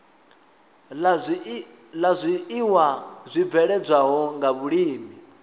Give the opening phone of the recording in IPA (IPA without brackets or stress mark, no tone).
l